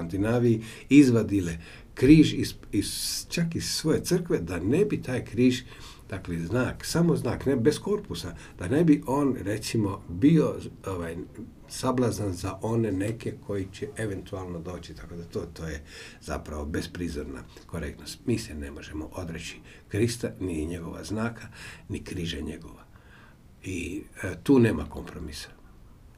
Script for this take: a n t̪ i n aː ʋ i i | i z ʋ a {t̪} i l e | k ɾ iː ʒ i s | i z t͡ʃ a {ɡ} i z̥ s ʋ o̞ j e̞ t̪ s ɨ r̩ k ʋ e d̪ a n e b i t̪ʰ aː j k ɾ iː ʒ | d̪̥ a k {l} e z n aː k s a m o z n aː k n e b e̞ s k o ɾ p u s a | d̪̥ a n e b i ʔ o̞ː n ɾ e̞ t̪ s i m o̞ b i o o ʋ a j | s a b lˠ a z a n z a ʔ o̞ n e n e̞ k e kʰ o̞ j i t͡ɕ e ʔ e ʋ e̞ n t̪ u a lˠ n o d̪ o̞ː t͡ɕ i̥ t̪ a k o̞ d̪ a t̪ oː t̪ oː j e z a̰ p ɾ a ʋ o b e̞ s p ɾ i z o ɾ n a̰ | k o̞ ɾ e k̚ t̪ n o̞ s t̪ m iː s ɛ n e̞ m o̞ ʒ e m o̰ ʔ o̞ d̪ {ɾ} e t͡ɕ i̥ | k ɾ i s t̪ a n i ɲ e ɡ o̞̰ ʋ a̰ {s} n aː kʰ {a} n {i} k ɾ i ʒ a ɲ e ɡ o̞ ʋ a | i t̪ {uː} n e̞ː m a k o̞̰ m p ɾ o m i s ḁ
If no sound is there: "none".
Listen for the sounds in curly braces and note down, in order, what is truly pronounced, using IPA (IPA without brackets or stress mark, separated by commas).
d̪, k, l, ɾ, z, a, i, uː